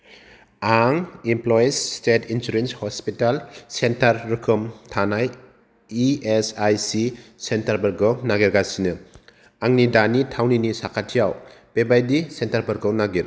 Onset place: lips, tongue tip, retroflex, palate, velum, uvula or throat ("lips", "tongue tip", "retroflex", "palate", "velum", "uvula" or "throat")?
velum